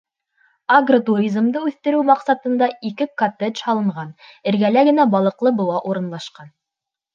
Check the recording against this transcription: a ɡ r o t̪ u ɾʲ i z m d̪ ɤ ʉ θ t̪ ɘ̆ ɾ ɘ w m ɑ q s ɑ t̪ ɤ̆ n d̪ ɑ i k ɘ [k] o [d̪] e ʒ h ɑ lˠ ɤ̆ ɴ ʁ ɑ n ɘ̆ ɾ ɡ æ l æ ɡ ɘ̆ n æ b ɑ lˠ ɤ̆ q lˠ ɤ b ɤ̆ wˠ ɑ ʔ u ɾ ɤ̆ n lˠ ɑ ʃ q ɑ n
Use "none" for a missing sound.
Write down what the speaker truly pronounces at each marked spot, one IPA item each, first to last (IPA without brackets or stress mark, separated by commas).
k, t̪